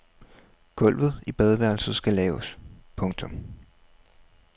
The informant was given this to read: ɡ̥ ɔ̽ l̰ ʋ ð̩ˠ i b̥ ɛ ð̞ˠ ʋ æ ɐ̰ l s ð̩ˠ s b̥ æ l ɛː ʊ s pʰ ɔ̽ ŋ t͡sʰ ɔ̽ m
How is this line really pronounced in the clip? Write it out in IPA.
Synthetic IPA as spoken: ɡ̥ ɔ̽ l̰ ʋ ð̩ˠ i b̥ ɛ ð̞ˠ ʋ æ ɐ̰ l s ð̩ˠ s ɡ̥ æ l ɛː ʊ s pʰ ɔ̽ ŋ t͡sʰ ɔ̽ m